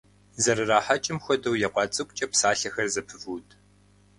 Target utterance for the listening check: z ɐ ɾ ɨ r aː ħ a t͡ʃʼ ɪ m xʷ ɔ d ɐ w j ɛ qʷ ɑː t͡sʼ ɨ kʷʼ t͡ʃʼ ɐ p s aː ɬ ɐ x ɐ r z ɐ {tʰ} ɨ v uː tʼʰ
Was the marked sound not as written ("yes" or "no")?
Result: yes